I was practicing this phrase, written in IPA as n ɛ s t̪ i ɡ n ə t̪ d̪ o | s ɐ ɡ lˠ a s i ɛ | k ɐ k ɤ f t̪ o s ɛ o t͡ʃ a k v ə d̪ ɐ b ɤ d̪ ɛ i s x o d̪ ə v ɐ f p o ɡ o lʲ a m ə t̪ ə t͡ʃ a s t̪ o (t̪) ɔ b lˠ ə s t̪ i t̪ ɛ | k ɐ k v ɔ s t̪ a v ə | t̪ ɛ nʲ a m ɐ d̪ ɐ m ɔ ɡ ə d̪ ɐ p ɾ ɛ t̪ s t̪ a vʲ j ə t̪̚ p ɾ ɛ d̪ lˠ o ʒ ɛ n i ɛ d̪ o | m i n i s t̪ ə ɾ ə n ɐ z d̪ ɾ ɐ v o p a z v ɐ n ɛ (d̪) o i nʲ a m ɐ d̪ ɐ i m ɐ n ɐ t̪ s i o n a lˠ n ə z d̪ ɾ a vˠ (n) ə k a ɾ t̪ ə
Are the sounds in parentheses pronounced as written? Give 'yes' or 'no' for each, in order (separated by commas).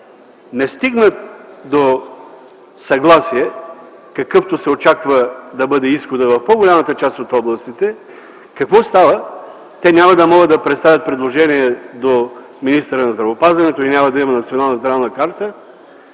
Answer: yes, no, yes